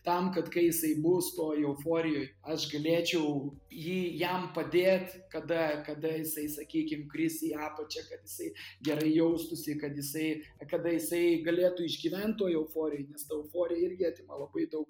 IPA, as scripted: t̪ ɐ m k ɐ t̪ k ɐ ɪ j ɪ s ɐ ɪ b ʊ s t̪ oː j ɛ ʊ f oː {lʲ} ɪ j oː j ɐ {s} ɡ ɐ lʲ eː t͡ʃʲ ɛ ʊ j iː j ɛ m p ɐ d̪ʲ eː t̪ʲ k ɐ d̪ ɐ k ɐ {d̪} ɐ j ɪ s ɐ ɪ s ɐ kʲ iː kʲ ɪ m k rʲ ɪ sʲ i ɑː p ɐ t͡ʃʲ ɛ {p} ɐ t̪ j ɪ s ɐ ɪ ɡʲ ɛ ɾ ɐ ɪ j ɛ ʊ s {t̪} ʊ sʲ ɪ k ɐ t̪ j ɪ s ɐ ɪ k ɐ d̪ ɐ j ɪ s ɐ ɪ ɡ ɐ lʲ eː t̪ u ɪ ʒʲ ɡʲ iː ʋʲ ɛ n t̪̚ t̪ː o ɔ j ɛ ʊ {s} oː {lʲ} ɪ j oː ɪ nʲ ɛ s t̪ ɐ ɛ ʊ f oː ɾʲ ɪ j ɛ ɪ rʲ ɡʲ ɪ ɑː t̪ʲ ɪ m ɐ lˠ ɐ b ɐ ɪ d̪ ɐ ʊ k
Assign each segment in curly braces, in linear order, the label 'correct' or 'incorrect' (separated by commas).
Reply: incorrect, incorrect, correct, incorrect, correct, incorrect, incorrect